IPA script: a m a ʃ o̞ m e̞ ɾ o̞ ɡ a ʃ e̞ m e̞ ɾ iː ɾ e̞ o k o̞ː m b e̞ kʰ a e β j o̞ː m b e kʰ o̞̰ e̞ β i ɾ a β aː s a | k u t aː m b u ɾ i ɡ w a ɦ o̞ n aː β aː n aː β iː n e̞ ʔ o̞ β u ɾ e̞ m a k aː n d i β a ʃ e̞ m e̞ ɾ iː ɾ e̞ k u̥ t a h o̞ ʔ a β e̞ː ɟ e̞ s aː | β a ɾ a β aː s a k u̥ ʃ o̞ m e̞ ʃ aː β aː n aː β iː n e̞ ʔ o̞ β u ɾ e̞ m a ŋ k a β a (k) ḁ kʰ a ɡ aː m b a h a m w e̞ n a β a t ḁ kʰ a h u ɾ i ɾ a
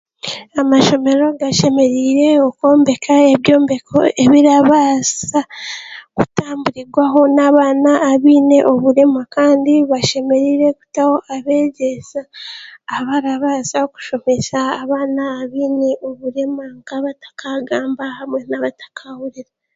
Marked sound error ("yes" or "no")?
yes